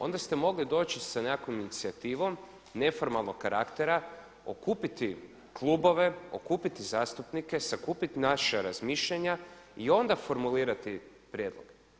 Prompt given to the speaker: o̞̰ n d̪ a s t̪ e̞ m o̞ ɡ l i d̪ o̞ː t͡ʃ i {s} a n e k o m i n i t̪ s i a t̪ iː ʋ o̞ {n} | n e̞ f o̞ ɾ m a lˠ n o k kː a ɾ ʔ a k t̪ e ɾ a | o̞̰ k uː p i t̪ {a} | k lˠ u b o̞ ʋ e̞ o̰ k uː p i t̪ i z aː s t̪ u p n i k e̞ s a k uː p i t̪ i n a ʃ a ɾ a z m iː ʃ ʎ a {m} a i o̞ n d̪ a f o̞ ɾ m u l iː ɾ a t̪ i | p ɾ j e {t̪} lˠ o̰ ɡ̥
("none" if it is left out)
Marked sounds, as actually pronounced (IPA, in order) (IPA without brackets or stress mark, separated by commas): s, m, i, ɲ, d̪